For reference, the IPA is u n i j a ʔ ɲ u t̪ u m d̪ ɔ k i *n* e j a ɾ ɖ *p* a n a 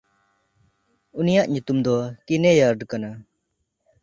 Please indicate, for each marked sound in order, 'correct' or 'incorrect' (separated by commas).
correct, incorrect